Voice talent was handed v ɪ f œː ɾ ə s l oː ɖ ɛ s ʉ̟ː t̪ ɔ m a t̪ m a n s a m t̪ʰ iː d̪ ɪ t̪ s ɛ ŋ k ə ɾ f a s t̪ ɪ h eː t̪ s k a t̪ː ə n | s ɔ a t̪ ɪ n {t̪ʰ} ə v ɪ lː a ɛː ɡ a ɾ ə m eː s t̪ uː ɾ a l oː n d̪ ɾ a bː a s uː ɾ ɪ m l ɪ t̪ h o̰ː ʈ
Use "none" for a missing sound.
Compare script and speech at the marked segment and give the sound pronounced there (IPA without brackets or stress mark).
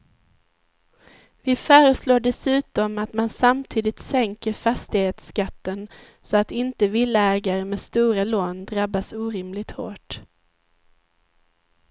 t̪